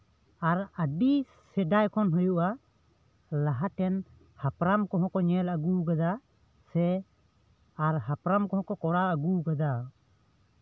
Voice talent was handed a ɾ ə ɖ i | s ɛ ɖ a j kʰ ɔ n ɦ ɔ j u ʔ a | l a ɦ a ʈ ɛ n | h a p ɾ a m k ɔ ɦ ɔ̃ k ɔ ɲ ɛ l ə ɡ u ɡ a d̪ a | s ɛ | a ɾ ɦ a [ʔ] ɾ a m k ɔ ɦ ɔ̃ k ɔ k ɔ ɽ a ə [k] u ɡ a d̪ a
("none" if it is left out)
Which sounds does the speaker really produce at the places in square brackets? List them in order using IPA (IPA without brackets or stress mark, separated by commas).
p, ɡ